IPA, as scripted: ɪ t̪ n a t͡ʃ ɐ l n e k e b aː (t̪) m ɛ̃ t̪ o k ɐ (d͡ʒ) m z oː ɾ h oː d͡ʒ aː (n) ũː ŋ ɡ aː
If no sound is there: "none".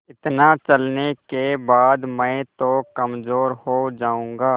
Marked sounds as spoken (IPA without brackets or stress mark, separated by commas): d̪, none, none